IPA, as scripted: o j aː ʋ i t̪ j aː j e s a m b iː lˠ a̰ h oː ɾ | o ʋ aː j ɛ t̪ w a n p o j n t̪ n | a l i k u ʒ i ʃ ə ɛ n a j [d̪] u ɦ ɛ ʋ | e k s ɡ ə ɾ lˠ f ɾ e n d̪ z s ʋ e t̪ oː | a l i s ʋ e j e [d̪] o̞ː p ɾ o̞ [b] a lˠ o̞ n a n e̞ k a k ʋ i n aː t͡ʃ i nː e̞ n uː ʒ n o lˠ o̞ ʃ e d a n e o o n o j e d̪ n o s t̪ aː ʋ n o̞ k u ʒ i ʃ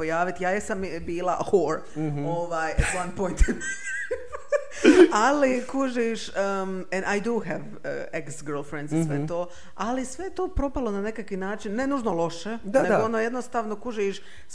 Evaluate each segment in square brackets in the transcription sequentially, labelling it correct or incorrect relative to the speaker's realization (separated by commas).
correct, incorrect, incorrect